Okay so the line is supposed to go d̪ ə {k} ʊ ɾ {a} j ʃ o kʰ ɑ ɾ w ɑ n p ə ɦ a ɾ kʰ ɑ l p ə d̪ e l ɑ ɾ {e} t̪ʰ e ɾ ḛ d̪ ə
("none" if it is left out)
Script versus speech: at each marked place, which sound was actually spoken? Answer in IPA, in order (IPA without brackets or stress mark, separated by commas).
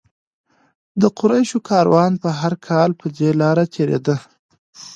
q, a, a